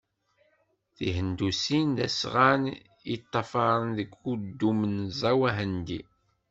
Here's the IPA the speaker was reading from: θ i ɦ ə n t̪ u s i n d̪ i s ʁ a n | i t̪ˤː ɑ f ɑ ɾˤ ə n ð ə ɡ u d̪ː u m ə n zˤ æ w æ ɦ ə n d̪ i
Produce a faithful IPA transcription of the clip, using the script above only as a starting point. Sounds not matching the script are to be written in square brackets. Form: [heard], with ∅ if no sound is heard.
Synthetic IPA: θ i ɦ ə n [d̪] u s i n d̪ [æ] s ʁ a n | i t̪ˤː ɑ f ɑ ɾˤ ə n ð ə ɡ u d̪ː u m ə n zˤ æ w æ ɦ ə n d̪ i